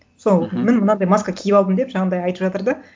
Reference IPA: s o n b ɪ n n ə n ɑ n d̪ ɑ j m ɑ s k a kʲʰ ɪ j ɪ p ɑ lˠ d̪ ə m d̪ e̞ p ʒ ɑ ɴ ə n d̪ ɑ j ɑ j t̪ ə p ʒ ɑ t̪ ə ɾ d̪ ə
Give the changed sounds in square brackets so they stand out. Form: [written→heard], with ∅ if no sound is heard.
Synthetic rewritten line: s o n [b→m] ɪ n [n→m] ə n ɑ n d̪ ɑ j m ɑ s k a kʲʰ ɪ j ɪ p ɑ lˠ d̪ ə m d̪ e̞ p ʒ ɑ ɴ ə n d̪ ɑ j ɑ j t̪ ə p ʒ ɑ t̪ ə ɾ d̪ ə